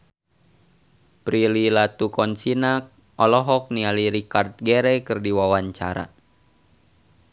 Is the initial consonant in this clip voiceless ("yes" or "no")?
yes